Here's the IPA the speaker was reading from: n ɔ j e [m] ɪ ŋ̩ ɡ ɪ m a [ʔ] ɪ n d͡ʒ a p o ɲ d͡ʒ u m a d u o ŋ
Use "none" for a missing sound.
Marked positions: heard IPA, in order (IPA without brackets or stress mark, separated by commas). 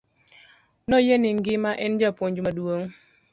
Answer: n, ʔ